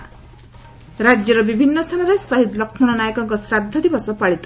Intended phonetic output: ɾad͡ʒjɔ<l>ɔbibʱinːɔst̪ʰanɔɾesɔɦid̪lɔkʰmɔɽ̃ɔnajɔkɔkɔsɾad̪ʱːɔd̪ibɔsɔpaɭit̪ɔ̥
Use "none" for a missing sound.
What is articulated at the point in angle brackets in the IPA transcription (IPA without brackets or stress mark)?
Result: ɾ